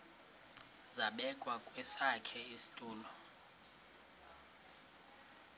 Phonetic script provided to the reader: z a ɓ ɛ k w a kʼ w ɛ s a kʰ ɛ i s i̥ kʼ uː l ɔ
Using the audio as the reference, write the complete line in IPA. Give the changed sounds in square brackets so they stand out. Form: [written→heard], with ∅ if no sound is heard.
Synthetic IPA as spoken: z a ɓ ɛ [k→kʼ] w a kʼ w ɛ s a kʰ ɛ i s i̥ [kʼ→tʼ] uː l ɔ